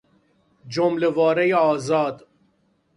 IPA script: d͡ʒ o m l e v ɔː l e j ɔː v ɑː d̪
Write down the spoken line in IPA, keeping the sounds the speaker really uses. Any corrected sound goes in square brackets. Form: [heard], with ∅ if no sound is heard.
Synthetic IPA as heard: d͡ʒ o m l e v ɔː [ɾ] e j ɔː [z] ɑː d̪